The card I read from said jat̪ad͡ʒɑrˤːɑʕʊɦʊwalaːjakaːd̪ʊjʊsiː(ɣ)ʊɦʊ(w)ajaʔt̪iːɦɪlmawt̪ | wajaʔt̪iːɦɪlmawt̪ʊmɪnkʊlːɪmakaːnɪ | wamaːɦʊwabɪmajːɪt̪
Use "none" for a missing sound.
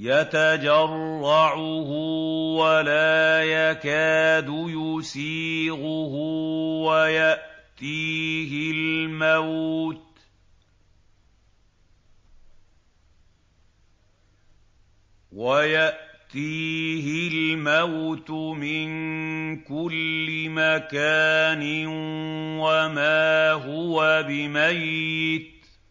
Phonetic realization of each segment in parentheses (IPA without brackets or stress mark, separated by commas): ɣ, w